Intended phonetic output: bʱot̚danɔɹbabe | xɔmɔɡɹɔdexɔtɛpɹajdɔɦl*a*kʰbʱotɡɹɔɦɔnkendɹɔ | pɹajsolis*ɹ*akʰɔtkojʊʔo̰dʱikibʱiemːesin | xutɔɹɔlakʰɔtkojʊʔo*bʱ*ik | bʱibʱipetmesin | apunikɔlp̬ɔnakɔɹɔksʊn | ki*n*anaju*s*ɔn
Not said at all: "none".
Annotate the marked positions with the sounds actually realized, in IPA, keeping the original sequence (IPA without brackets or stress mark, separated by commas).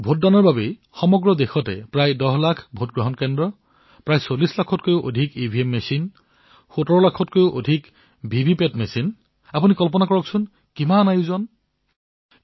a, l, dʱ, m, z